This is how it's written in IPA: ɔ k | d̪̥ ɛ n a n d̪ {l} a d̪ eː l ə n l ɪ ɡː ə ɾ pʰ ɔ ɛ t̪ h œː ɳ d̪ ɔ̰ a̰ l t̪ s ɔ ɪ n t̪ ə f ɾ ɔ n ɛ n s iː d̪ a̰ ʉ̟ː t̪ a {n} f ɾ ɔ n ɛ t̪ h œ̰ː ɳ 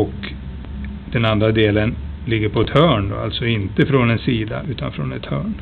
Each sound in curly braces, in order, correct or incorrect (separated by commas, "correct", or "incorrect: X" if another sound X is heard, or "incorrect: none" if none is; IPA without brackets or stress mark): incorrect: ɾ, correct